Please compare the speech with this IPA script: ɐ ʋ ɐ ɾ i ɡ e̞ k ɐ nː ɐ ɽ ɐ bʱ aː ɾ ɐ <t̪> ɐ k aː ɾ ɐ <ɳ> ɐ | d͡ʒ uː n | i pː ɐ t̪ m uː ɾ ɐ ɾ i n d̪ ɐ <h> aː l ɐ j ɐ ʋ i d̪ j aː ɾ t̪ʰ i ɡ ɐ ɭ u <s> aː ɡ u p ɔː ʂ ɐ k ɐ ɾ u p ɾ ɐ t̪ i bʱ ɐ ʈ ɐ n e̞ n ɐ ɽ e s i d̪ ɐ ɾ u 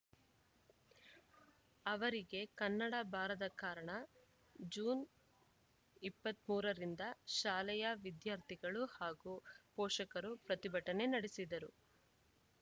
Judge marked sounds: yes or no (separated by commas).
no, yes, no, no